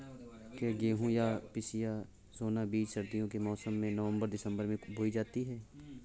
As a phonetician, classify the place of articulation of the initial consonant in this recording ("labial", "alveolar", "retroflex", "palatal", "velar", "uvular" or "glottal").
velar